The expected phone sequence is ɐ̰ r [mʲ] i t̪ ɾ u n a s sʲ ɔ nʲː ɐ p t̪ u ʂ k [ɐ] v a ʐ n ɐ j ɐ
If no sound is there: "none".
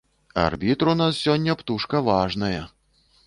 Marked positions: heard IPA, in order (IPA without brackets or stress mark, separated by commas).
bʲ, ɐ